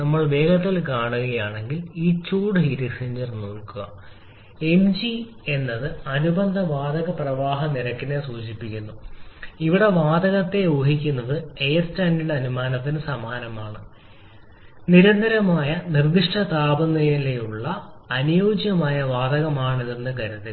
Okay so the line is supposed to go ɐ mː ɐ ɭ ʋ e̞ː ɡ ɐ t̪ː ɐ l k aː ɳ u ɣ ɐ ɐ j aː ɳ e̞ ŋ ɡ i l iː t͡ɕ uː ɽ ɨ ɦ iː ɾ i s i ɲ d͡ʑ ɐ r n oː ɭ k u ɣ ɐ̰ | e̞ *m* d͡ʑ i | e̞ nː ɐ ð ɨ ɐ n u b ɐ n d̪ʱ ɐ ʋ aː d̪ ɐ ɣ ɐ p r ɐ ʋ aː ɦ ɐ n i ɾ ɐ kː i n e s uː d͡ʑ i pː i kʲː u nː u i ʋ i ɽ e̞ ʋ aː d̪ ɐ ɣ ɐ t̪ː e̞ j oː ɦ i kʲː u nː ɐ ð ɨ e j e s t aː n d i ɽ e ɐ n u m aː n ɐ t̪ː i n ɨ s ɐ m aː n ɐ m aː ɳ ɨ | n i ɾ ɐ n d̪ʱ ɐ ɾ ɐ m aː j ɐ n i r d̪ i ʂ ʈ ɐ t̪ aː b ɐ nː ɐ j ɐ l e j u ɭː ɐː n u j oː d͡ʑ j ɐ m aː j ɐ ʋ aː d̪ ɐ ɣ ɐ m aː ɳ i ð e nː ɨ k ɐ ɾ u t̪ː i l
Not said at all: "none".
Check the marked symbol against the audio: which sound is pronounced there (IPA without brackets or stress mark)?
m